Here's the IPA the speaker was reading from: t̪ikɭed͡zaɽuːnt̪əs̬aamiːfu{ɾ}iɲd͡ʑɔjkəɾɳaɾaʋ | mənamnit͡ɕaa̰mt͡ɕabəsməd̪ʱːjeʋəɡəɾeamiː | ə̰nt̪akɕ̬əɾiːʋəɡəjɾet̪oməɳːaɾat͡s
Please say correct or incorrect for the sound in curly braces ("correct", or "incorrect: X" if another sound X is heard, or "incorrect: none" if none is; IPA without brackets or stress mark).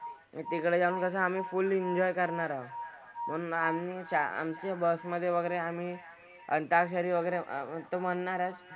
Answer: incorrect: l